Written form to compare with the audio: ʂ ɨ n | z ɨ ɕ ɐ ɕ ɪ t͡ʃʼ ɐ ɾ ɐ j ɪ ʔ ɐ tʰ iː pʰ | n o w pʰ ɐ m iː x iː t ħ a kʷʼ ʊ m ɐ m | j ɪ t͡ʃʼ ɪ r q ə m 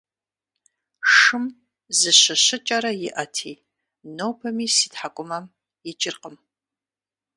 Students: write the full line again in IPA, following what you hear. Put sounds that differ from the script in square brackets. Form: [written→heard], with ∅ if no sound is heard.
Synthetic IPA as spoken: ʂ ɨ [n→m] | z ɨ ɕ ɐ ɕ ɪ t͡ʃʼ ɐ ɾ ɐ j ɪ ʔ ɐ tʰ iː [pʰ→∅] | n o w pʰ ɐ m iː [x→s] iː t ħ a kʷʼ ʊ m ɐ m | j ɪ t͡ʃʼ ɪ r q ə m